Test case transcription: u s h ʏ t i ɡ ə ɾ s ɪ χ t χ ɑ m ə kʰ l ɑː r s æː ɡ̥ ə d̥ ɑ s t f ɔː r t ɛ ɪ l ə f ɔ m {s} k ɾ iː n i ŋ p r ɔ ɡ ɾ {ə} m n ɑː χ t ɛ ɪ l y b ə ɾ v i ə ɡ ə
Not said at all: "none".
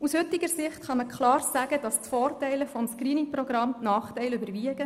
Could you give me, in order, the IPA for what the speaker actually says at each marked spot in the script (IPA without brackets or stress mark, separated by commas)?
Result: s, ɑ